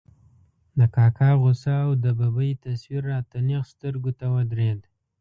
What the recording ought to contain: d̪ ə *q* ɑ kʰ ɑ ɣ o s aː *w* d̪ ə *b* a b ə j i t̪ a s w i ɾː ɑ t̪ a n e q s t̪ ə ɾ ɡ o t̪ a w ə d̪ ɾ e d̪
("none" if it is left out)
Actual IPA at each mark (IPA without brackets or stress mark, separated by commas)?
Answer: k, w, b